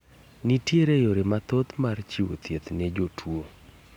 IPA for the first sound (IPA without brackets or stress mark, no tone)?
n